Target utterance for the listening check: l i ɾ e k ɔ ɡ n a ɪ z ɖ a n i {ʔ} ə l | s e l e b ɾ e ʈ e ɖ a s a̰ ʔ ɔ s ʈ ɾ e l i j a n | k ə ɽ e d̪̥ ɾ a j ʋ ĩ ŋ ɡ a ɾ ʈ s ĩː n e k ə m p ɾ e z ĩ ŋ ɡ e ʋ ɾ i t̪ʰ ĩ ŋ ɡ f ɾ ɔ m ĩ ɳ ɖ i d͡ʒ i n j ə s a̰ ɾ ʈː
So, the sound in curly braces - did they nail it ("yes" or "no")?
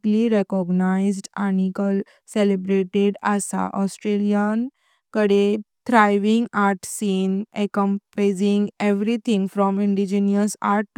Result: no